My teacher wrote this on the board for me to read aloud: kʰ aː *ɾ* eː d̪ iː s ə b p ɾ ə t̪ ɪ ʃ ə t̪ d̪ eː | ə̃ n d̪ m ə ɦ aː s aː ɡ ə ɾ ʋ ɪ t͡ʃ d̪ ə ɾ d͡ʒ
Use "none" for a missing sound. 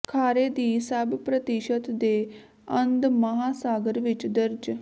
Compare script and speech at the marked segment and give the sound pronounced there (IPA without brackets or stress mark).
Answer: ɾ